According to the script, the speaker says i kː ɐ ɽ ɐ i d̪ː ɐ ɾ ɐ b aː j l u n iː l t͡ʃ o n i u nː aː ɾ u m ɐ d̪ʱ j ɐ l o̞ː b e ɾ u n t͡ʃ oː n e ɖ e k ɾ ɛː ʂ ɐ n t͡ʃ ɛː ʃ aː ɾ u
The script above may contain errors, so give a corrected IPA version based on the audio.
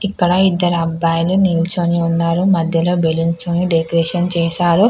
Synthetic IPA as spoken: i kː ɐ ɽ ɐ i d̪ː ɐ ɾ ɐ b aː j l u n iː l t͡ʃ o n i u nː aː ɾ u m ɐ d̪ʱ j ɐ l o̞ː b e l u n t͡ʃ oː n i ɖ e k ɾ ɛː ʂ ɐ n t͡ʃ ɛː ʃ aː ɾ u